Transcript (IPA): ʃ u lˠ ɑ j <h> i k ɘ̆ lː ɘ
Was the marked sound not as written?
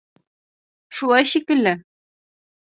yes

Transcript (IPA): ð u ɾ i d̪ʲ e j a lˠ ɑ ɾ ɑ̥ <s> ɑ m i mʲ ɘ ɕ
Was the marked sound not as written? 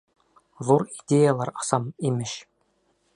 no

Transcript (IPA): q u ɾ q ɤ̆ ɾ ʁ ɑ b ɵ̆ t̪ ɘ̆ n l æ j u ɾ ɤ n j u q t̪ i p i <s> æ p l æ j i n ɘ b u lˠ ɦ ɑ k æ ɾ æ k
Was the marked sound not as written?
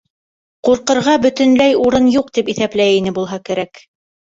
yes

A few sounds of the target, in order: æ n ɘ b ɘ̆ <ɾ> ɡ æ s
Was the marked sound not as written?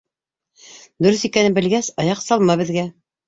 yes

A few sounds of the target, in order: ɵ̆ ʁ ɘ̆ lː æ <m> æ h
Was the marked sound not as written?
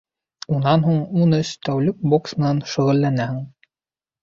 yes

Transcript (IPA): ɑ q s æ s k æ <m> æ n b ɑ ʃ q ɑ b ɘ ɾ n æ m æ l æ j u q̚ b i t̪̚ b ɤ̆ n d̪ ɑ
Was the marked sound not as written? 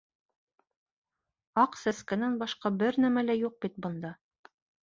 yes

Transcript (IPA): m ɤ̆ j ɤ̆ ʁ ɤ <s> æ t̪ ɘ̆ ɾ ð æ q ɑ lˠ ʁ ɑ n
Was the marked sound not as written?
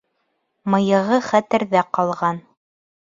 yes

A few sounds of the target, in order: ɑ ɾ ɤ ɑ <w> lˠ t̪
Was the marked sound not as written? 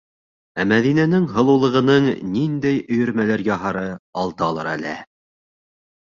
yes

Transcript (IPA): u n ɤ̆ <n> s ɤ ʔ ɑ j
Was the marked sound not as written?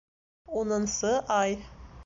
no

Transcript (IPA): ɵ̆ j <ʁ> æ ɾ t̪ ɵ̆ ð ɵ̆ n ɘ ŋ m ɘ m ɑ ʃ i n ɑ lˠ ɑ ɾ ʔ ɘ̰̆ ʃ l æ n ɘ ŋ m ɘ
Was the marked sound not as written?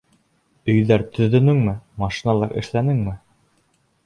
yes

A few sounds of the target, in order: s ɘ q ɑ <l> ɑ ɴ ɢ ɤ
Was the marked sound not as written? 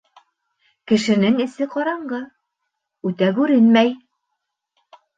yes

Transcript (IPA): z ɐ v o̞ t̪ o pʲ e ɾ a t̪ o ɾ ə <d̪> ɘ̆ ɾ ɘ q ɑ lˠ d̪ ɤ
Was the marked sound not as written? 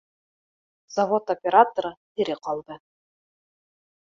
yes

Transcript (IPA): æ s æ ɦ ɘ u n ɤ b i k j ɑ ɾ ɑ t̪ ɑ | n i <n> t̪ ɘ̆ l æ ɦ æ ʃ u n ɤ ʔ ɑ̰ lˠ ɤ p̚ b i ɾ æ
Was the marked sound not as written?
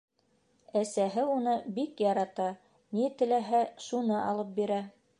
yes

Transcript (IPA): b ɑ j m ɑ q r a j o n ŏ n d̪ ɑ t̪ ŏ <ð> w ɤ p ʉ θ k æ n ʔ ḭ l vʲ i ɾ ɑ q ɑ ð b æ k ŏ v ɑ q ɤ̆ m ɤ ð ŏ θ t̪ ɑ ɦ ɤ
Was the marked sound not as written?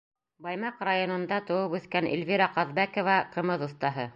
yes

